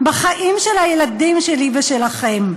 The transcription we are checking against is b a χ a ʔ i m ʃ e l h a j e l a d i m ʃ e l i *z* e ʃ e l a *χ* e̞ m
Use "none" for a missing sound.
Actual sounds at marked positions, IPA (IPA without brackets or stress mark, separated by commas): v, χ